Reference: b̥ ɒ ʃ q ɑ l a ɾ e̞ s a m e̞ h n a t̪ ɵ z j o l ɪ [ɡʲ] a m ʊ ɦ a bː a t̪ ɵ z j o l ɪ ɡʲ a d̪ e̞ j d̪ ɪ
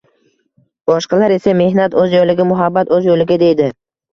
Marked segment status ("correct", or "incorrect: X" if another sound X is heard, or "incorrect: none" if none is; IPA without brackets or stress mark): correct